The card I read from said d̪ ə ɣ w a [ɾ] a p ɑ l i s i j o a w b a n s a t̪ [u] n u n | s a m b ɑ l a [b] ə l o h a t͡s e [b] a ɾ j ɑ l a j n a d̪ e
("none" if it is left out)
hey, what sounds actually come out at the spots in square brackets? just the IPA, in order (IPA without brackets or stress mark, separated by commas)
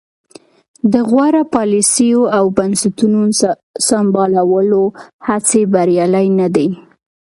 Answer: ɾ, u, w, b